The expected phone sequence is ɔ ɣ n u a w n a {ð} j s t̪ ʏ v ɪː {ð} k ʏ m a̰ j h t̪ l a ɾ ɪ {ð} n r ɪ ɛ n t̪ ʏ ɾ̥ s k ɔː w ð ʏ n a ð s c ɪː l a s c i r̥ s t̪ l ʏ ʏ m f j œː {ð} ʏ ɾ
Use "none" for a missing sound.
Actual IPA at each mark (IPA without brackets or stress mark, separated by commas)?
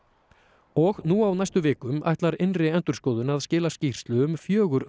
none, none, none, ɣ